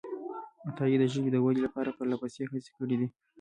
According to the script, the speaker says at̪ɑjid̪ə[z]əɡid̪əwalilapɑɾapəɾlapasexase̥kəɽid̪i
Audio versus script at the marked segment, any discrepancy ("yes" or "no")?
yes